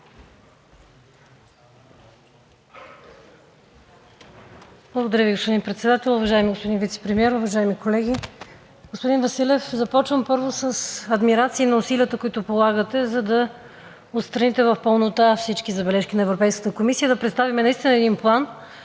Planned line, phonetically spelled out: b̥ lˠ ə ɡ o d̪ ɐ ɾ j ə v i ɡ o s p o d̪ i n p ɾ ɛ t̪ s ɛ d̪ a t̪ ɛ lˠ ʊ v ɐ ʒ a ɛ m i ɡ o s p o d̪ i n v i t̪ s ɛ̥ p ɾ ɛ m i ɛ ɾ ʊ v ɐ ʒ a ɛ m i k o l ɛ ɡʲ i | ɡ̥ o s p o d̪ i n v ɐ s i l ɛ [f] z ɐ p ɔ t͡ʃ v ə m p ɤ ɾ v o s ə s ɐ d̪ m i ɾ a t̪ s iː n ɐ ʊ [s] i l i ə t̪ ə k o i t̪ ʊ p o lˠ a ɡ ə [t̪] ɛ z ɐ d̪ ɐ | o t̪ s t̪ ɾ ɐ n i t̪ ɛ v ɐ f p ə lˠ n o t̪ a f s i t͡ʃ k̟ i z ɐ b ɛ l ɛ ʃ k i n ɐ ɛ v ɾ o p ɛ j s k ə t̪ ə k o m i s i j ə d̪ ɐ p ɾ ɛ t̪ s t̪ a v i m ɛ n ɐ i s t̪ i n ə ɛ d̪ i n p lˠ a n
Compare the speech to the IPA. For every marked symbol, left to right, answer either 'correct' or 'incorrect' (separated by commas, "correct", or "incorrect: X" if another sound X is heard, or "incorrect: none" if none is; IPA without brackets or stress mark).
correct, correct, correct